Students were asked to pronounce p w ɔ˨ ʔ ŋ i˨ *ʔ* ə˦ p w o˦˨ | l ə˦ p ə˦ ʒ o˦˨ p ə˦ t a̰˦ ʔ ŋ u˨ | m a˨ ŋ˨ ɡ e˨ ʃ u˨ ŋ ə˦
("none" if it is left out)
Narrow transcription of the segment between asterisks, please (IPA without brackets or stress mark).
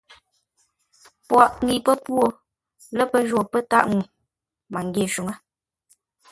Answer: p